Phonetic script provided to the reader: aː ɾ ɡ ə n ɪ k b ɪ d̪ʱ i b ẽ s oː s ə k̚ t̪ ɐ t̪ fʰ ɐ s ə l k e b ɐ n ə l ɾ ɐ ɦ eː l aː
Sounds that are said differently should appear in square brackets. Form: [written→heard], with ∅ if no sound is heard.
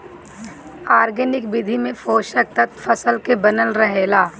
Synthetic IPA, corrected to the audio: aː ɾ ɡ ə n ɪ k b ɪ d̪ʱ i [b→m] ẽ [s→f] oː [s→ʃ] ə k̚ t̪ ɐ t̪ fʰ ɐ s ə l k e b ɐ n ə l ɾ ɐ ɦ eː l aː